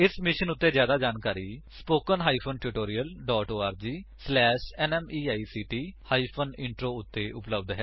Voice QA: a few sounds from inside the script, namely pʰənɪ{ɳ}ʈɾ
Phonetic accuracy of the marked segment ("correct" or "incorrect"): correct